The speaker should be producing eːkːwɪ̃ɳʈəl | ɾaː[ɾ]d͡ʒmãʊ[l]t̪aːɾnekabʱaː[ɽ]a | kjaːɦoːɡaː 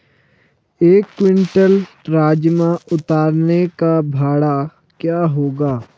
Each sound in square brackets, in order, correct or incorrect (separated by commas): incorrect, incorrect, correct